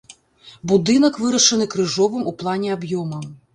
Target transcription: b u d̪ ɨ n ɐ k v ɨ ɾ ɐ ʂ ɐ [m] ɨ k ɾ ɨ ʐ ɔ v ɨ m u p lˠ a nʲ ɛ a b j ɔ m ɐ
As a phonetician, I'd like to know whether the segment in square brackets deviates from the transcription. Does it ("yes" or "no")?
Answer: yes